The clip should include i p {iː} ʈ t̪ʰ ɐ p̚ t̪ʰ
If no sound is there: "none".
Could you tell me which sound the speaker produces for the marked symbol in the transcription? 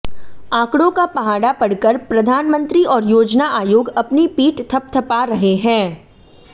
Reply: iː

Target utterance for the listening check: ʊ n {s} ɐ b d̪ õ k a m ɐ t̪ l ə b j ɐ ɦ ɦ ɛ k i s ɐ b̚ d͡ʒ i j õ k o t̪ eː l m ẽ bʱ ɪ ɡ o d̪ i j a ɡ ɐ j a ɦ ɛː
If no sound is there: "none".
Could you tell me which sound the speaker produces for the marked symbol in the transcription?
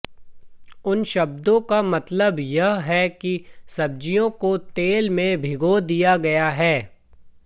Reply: ʃ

